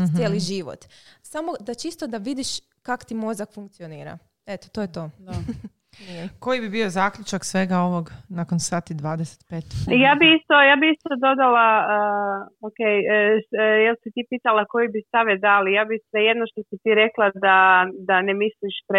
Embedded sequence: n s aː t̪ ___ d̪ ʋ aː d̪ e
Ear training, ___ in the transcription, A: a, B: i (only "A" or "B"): B